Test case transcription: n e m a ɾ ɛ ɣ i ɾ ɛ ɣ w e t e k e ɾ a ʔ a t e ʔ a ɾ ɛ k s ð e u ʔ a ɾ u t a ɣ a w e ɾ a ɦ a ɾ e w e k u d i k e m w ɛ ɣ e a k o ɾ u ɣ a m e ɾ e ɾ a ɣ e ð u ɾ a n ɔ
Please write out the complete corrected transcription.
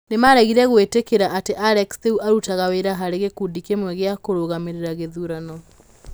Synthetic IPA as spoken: n e m a ɾ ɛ ɣ i ɾ ɛ ɣ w e t e k e ɾ a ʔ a t e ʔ a ɾ ɛ k s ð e u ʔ a ɾ u t a ɣ a w e ɾ a ɦ a ɾ e ɣ e k u d i k e m w ɛ ɣ e a k o ɾ o ɣ a m e ɾ e ɾ a ɣ e ð u ɾ a n ɔ